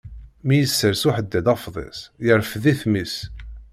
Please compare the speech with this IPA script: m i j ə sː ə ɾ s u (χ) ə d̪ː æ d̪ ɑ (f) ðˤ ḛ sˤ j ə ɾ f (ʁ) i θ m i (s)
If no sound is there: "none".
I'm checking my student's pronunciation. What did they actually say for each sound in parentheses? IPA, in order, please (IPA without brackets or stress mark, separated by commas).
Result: ħ, f, ð, s